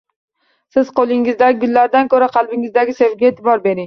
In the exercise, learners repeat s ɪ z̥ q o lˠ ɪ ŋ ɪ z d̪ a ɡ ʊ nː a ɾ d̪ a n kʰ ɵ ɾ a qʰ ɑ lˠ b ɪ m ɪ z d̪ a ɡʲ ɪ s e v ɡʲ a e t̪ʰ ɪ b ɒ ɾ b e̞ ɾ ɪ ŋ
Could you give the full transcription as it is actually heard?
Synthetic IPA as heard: s ɪ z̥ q o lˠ ɪ ŋ ɪ z d̪ a ɡ ʊ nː a ɾ d̪ a n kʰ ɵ ɾ a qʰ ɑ lˠ b ɪ ŋ ɪ z d̪ a ɡʲ ɪ s e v ɡʲ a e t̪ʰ ɪ b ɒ ɾ b e̞ ɾ ɪ ŋ